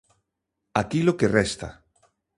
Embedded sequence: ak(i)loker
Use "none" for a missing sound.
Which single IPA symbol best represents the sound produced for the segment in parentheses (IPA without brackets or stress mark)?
i